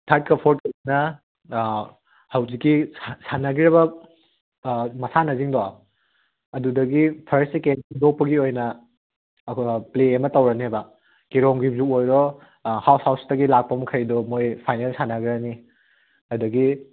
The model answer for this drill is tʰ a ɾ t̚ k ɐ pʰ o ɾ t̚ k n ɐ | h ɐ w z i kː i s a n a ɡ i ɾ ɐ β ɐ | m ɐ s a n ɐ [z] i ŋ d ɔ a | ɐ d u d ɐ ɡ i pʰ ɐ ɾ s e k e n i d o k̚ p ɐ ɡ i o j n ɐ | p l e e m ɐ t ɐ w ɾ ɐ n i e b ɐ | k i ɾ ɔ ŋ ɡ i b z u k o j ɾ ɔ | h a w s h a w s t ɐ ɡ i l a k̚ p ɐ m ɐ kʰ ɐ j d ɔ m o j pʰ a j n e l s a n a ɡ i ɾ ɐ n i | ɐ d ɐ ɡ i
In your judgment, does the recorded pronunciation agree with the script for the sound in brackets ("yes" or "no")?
yes